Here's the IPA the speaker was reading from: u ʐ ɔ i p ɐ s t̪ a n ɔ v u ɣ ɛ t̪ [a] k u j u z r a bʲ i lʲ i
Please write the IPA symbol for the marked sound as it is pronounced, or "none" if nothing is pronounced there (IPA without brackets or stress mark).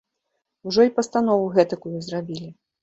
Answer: ɐ